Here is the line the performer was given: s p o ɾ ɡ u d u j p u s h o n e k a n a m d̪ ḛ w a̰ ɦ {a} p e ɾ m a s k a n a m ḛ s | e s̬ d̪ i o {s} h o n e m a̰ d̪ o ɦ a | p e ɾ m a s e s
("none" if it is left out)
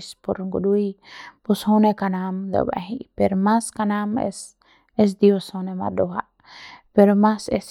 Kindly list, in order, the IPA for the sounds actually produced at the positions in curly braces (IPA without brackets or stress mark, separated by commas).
i, s